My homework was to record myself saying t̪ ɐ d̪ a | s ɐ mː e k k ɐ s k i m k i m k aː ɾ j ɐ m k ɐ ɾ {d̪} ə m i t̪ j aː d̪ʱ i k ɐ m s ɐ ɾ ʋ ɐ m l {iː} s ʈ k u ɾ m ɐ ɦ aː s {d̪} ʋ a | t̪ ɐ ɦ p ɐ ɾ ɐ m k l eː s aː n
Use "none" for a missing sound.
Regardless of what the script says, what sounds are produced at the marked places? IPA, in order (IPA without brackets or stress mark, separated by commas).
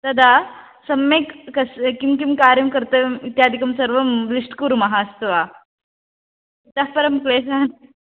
t̪, i, t̪